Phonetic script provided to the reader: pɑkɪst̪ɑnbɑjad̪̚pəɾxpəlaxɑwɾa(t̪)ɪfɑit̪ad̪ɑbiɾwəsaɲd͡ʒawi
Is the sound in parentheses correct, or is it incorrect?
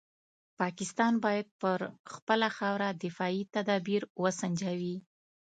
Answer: incorrect